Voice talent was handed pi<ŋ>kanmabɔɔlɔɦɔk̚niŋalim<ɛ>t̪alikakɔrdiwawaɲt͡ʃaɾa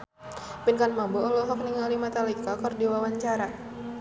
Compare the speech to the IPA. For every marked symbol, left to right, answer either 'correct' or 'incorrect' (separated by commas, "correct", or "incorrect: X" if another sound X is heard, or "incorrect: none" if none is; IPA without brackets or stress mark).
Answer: incorrect: n, incorrect: a